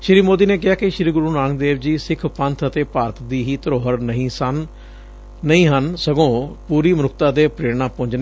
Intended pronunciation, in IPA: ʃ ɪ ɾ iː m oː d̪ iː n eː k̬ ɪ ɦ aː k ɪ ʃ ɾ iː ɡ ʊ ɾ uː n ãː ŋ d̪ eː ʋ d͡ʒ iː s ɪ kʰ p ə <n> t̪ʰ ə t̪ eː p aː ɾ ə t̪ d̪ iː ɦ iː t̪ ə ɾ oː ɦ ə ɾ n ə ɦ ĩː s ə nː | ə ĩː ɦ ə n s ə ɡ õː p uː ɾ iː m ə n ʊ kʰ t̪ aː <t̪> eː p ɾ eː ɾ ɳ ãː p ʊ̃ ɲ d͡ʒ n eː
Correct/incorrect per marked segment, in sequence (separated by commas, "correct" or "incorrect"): correct, incorrect